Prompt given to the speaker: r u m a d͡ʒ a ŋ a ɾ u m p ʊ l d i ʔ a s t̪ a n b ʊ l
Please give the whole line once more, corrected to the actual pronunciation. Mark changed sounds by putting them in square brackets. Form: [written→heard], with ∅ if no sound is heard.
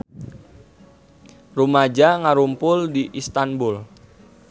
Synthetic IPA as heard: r u m a d͡ʒ a ŋ a ɾ u m p ʊ l d i ʔ [a→i] s t̪ a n b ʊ l